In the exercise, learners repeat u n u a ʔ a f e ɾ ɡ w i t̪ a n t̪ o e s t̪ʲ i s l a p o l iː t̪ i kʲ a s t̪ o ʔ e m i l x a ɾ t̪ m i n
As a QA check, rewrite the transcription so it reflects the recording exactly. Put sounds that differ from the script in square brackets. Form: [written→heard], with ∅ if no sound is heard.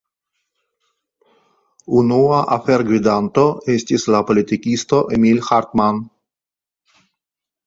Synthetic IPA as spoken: u n u a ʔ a f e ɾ ɡ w i [t̪→d̪] a n t̪ o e s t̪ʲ i s l a p o l [iː→i] t̪ i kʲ [a→i] s t̪ o ʔ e m i l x a ɾ t̪ m [i→a] n